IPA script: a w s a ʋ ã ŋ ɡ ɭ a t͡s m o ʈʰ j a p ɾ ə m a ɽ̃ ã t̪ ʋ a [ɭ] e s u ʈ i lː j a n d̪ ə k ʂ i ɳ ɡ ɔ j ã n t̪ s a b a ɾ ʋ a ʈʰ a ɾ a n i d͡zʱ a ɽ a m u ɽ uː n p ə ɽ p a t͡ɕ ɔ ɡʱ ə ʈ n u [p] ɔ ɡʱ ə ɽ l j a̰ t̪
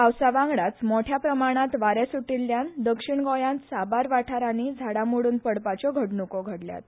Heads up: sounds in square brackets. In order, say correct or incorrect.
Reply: incorrect, incorrect

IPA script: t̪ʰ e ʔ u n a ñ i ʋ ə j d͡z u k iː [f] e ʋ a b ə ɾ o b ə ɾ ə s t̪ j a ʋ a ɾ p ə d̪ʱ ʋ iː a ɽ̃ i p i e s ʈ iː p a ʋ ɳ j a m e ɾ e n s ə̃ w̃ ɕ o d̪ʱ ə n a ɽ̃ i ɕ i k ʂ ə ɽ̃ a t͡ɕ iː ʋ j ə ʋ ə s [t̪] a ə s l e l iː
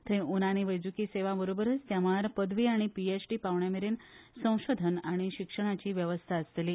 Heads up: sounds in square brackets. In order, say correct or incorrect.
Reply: incorrect, incorrect

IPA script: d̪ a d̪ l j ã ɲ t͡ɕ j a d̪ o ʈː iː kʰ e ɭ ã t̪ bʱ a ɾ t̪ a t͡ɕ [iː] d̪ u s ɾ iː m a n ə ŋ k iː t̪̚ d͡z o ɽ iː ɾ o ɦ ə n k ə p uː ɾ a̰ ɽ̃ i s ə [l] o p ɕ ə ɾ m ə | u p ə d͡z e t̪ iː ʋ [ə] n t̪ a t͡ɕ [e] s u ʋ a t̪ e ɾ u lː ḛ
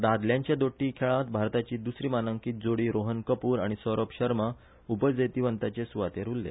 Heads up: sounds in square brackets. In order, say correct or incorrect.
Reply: correct, incorrect, correct, correct

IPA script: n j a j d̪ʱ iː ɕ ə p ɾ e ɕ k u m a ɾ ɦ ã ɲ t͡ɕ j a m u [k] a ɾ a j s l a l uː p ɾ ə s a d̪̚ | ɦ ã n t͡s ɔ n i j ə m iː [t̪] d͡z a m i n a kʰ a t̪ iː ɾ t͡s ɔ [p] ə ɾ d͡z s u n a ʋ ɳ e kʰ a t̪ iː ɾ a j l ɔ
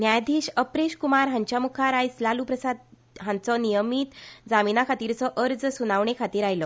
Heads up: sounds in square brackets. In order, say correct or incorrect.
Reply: incorrect, correct, incorrect

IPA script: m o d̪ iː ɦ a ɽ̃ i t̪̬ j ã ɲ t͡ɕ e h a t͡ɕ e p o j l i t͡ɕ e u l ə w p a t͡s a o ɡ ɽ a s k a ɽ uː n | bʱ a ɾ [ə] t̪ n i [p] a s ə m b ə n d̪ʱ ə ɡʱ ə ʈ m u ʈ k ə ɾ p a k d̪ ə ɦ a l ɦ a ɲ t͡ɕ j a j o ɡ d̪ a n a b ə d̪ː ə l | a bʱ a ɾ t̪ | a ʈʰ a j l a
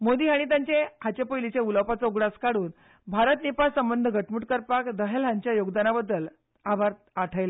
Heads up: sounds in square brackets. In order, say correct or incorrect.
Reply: correct, correct

